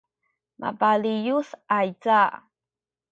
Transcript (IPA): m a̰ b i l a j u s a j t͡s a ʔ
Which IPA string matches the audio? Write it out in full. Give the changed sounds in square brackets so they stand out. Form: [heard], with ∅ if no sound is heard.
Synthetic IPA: m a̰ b [a] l [i] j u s a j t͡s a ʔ